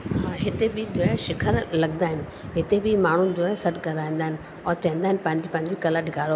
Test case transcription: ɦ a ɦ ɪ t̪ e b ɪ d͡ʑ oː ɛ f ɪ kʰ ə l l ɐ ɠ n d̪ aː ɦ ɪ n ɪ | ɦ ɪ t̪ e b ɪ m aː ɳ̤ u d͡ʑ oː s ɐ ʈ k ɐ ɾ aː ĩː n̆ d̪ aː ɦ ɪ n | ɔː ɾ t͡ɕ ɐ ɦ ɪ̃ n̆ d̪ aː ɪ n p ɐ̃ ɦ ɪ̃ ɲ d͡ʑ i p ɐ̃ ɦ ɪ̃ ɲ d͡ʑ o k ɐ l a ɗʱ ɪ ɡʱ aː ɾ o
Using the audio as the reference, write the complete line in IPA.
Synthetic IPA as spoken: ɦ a ɦ ɪ t̪ e b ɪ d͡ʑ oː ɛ ʃ ɪ kʰ ə ɾ l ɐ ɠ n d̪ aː ɦ ɪ n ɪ | ɦ ɪ t̪ e b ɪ m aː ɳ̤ u d͡ʑ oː s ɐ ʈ k ɐ ɾ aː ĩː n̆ d̪ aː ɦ ɪ n | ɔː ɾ t͡ɕ ɐ ɦ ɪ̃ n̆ d̪ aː ɪ n p ɐ̃ ɦ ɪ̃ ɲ d͡ʑ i p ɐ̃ ɦ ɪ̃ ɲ d͡ʑ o k ɐ l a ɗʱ ɪ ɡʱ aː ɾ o

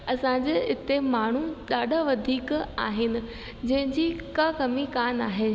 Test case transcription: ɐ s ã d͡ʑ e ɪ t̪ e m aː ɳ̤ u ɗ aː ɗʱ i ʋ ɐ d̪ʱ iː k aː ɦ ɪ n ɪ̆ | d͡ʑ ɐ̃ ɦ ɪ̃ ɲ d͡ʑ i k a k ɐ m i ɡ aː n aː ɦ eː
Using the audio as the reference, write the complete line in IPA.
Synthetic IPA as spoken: ɐ s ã d͡ʑ e ɪ t̪ e m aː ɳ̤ u ɗ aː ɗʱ a ʋ ɐ d̪ʱ iː k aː ɦ ɪ n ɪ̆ | d͡ʑ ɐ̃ ɦ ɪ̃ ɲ d͡ʑ i k a k ɐ m i k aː n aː ɦ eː

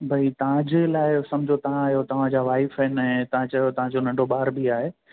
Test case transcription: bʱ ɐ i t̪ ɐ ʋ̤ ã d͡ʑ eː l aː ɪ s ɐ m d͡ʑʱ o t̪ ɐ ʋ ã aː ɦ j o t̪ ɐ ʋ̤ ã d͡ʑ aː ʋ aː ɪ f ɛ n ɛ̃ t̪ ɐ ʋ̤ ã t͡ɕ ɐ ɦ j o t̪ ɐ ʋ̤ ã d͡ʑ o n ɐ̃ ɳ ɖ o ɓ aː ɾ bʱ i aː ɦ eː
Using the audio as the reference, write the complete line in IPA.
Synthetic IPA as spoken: bʱ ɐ i t̪ ɐ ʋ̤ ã d͡ʑ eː l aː ɪ s ɐ m d͡ʑʱ o t̪ ɐ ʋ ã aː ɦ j o t̪ ɐ ʋ̤ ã d͡ʑ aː ʋ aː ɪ f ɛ n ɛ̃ t̪ ɐ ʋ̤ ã t͡ɕ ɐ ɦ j o t̪ ɐ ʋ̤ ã d͡ʑ o n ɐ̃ ɳ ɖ o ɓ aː ɾ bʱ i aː ɦ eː

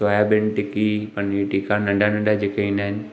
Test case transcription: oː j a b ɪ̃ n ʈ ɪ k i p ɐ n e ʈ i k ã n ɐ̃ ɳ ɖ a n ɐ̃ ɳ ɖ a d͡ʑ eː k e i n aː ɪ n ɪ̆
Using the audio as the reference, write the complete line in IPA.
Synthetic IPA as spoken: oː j a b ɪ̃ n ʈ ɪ k i p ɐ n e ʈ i k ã n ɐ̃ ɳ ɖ a n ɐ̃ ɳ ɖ a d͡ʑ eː k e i n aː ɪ n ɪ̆

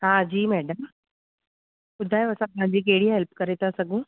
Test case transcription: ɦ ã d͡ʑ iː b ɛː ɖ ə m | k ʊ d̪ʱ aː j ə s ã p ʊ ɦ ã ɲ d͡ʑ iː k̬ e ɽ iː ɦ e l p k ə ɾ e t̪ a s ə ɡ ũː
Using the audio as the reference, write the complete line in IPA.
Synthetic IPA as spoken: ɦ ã d͡ʑ iː m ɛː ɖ ə m | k ʊ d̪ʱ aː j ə s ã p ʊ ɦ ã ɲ d͡ʑ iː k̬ e ɽ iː ɦ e l p k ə ɾ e t̪ a s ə ɡ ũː

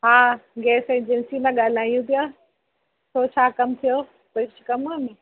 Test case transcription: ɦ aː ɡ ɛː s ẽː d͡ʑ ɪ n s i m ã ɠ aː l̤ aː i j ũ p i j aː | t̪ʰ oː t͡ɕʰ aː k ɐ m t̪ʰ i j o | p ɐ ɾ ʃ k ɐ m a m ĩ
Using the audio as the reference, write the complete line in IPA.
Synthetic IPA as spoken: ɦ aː ɡ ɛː s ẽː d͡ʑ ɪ n s i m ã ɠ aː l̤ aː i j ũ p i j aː | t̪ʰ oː t͡ɕʰ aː k ɐ m t̪ʰ i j o | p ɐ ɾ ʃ k ɐ m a m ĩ

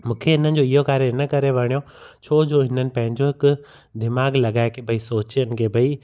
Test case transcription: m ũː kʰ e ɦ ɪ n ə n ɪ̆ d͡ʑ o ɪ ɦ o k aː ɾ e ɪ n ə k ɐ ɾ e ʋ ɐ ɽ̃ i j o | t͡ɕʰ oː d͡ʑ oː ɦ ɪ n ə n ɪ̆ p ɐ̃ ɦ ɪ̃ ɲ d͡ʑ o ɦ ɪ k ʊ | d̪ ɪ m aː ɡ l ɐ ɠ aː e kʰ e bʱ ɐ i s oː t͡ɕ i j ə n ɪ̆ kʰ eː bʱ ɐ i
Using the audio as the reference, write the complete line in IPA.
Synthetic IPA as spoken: m ũː kʰ e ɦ ɪ n ə n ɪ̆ d͡ʑ o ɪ ɦ o k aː ɾ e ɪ n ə k ɐ ɾ e ʋ ɐ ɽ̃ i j o | t͡ɕʰ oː d͡ʑ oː ɦ ɪ n ə n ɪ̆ p ɐ̃ ɦ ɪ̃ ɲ d͡ʑ o ɦ ɪ k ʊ | d̪ ɪ m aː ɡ l ɐ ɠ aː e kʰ e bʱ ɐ i s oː t͡ɕ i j ə n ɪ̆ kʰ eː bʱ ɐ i

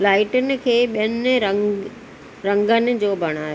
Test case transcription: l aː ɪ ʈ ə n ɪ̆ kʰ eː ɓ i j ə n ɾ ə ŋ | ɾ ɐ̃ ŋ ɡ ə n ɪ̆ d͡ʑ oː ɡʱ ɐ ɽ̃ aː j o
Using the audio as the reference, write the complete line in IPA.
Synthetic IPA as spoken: l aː ɪ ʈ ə n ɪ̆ kʰ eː ɓ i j ə n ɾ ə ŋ | ɾ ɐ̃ ŋ ɡ ə n ɪ̆ d͡ʑ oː bʱ ɐ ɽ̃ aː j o

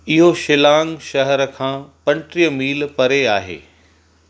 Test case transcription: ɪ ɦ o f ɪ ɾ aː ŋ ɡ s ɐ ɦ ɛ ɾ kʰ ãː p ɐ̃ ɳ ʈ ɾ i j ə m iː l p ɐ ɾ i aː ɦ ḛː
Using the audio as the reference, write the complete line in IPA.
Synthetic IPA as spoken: ɪ ɦ o ʃ ɪ l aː ŋ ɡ ʃ ɐ ɦ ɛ ɾ kʰ ãː p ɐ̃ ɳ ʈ ɾ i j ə m iː l p ɐ ɾ e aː ɦ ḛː

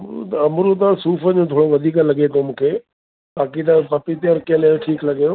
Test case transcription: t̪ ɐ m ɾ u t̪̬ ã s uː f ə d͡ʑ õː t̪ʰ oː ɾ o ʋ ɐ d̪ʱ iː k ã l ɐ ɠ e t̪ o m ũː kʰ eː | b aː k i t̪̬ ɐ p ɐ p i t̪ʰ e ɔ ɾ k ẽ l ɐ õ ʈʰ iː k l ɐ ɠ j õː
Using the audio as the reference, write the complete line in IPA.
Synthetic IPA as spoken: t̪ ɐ m ɾ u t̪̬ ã s uː f ə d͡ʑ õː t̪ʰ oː ɽ o ʋ ɐ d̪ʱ iː k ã l ɐ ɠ e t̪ o m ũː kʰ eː | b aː k i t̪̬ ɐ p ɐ p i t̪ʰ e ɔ ɾ k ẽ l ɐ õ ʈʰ iː k l ɐ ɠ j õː

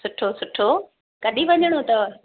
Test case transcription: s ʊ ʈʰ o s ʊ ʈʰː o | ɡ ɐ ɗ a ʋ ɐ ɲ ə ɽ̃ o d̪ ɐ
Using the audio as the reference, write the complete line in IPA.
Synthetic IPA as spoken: s ʊ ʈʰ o s ʊ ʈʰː o | k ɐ ɗ i ʋ ɐ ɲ ə ɽ̃ o t̪ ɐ

